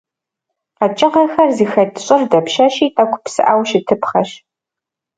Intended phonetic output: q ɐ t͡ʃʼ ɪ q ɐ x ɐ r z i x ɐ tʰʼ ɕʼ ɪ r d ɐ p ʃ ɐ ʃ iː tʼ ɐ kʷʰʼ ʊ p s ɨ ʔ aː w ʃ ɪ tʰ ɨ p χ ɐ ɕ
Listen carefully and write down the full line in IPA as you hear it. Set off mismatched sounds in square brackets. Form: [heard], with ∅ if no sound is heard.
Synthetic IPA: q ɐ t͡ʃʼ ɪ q ɐ x ɐ r z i x ɐ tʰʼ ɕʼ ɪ r d ɐ p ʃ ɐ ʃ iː tʼ ɐ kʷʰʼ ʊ p s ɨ ʔ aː w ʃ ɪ tʰ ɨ p χ ɐ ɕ